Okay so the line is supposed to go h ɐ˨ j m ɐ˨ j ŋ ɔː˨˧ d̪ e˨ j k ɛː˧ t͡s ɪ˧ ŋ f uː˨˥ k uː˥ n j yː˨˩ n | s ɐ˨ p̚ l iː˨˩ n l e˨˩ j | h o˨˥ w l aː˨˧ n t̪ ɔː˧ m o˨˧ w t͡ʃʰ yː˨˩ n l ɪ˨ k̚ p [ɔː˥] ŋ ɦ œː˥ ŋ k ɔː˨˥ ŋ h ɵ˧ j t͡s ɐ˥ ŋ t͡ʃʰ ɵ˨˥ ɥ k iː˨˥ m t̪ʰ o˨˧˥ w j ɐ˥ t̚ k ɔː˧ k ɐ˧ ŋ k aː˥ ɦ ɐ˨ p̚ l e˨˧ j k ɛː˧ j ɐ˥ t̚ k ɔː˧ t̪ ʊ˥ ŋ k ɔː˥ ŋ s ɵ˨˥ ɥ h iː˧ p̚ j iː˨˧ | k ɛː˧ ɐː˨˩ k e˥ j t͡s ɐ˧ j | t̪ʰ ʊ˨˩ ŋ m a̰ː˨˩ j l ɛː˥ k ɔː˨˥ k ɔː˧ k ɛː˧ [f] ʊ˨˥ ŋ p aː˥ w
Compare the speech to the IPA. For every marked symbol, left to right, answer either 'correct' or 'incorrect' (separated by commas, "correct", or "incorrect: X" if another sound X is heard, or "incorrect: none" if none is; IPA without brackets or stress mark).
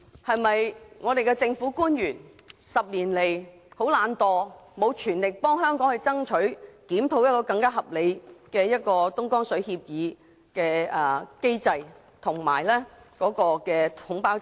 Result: correct, incorrect: h